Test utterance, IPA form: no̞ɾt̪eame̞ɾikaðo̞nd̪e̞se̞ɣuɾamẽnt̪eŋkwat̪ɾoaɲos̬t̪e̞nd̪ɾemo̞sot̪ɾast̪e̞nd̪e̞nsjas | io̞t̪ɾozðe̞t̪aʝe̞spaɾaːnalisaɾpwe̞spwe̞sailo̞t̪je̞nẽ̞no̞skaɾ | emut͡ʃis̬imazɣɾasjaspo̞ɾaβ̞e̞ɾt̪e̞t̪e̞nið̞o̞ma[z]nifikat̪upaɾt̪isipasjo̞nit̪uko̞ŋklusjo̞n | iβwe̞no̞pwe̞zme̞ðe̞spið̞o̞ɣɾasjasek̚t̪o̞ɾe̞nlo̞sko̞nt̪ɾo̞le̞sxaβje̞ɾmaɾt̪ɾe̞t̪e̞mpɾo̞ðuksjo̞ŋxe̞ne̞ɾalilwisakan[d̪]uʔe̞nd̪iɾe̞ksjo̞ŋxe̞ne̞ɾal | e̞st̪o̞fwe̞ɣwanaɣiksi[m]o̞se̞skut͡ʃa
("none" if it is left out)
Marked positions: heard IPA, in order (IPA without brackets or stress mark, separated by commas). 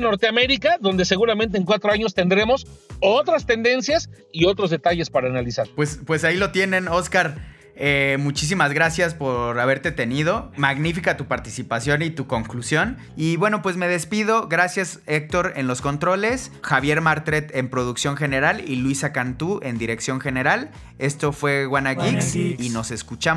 ɣ, t̪, n